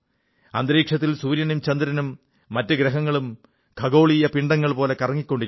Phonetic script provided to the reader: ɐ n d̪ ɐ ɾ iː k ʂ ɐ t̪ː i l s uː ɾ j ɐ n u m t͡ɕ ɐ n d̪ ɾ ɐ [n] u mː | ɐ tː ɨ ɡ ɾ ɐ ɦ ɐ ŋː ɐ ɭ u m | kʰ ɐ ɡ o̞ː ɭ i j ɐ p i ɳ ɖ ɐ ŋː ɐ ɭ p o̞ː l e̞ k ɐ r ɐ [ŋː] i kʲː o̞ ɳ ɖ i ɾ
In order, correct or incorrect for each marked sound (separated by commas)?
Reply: correct, correct